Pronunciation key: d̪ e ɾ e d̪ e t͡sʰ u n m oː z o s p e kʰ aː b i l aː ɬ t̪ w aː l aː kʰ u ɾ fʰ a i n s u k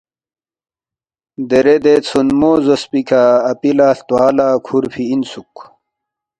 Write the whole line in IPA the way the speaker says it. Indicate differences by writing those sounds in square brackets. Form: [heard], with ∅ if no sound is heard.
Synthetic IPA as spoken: d̪ e ɾ e d̪ e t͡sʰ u n m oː z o s p [i] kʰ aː [p] i l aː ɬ t̪ w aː l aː kʰ u ɾ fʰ [i] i n s u k